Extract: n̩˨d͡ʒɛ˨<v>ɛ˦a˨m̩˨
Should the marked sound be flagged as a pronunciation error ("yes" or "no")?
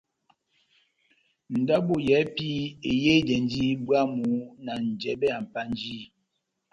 yes